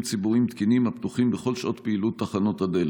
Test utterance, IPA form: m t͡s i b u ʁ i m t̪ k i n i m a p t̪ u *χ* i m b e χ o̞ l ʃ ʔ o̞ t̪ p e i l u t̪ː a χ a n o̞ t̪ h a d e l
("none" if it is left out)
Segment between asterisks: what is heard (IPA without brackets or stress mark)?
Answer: χ